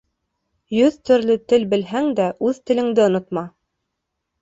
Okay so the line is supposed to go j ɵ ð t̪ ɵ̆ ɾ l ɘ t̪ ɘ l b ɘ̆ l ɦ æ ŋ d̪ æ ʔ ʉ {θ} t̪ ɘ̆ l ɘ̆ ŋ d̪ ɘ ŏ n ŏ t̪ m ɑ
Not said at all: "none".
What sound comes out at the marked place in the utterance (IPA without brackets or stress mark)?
ð